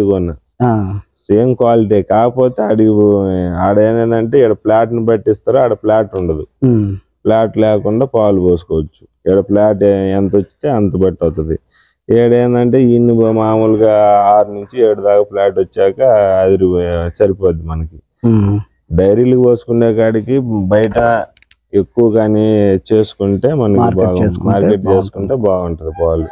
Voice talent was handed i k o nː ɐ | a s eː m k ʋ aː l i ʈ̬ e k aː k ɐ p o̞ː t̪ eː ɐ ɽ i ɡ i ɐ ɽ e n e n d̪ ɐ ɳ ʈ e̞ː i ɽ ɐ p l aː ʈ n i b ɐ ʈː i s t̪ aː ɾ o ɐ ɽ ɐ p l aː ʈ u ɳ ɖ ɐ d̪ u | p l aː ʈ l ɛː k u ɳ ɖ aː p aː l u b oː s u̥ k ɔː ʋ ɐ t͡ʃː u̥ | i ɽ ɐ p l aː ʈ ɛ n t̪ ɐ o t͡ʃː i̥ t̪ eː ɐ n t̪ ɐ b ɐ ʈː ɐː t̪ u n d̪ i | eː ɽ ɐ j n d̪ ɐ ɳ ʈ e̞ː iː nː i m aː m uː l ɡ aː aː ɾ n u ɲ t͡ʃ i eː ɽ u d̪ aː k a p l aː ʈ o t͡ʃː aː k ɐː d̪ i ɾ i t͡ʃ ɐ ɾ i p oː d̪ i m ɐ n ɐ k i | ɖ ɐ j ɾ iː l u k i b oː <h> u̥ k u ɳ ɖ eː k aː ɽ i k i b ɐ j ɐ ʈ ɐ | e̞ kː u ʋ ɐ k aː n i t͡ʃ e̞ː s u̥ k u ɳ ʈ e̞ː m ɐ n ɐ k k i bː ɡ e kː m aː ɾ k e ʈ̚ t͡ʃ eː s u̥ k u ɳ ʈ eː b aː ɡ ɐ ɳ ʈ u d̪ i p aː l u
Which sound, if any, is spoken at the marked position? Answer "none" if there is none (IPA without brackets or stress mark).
s